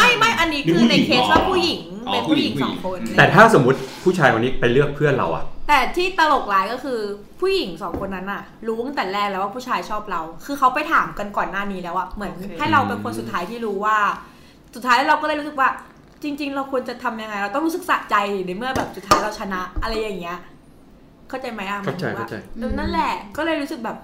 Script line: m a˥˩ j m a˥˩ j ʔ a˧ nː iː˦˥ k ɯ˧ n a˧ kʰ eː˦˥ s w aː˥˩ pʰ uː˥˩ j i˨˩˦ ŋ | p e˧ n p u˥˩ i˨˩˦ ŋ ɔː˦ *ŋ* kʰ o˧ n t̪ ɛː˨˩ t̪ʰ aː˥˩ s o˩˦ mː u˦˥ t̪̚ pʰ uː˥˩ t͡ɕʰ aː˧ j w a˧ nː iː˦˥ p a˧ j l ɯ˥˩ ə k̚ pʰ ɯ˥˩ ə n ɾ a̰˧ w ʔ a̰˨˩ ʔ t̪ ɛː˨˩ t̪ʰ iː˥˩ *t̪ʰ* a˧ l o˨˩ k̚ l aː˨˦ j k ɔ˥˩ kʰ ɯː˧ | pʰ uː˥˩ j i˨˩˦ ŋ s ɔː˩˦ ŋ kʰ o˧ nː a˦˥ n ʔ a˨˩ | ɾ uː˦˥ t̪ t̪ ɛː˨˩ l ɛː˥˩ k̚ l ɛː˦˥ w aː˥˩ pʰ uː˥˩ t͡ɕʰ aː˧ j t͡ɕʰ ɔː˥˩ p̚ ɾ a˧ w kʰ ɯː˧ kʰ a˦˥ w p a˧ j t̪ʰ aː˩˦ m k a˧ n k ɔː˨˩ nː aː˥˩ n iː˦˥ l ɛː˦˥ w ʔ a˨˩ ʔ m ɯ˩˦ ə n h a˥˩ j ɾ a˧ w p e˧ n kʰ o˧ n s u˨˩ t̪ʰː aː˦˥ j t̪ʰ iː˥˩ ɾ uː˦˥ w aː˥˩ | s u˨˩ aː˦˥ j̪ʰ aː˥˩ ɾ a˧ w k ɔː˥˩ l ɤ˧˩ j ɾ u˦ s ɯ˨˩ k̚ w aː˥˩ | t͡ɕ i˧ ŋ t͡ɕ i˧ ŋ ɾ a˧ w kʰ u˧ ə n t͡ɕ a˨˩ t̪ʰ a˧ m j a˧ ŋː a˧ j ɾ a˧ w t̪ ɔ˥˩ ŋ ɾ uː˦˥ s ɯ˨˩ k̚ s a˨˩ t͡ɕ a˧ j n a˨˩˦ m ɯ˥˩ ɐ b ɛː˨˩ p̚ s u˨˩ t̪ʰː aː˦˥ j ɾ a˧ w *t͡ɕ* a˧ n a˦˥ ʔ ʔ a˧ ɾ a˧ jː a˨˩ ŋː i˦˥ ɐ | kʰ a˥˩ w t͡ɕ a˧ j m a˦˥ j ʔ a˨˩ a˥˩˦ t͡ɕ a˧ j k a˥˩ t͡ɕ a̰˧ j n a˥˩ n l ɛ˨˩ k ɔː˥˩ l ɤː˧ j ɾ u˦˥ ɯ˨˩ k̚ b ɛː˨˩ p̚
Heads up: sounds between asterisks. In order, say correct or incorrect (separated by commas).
correct, incorrect, incorrect